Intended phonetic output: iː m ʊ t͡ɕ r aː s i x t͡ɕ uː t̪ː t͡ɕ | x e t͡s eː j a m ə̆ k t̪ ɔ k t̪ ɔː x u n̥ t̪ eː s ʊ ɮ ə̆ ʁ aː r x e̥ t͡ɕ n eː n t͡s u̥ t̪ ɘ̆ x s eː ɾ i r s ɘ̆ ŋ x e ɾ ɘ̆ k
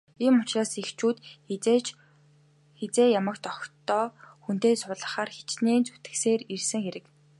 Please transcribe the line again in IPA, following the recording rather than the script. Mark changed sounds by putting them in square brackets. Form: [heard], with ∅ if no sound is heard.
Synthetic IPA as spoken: iː m ʊ t͡ɕ r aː s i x t͡ɕ uː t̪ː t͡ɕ | x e t͡s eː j a m ə̆ k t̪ ɔ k t̪ ɔː x u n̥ t̪ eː s ʊ ɮ ə̆ [χ] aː r x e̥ t͡ɕ n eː n t͡s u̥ t̪ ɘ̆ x s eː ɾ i r s ɘ̆ ŋ x e ɾ ɘ̆ k